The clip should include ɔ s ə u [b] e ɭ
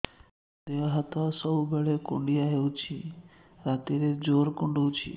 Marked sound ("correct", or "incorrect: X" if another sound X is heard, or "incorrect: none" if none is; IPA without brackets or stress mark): correct